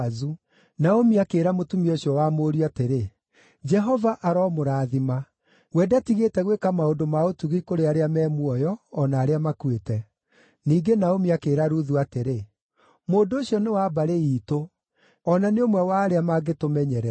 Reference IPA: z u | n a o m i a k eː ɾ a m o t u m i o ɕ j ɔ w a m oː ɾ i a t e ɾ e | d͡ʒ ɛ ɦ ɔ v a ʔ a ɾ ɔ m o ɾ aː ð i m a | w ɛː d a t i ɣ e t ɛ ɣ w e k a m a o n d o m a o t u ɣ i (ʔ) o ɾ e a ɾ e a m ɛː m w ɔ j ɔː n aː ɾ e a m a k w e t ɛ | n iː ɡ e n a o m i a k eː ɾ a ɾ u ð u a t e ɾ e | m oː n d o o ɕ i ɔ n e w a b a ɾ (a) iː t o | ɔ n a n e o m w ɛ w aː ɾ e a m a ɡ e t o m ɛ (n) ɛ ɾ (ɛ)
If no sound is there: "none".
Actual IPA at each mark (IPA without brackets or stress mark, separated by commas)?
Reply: k, e, ɲ, ɛ